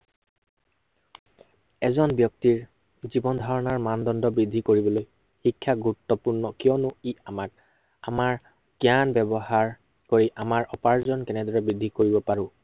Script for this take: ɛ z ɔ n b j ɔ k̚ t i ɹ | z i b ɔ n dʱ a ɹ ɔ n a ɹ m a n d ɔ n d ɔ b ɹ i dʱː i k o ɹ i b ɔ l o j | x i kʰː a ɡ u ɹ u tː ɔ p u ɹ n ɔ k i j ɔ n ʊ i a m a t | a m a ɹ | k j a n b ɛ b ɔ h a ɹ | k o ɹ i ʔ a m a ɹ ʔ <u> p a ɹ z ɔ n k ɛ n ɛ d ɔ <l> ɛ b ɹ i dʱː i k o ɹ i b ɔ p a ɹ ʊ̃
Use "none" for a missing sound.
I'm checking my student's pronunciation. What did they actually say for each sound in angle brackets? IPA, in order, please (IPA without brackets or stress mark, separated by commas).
ɔ, ɹ